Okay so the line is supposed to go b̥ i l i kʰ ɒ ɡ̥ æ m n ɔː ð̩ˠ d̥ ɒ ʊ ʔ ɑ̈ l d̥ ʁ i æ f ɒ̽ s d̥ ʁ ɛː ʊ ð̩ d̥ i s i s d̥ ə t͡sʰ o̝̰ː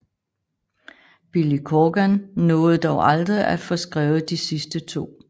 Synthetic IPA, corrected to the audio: b̥ i l i kʰ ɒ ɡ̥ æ n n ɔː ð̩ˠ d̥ ɒ ʊ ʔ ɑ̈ l d̥ ʁ i æ f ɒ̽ s ɡ̥ ʁ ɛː ʊ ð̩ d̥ i s i s d̥ ə t͡sʰ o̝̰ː